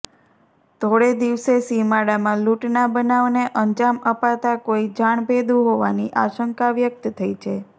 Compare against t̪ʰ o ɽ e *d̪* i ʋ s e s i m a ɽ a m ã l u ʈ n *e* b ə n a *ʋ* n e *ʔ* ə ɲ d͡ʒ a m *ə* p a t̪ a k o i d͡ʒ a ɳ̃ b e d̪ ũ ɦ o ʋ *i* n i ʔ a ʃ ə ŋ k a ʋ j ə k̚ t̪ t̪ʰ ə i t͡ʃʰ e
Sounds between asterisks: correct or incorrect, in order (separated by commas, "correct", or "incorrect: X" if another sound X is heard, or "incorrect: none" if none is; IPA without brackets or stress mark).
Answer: correct, incorrect: a, correct, correct, correct, incorrect: a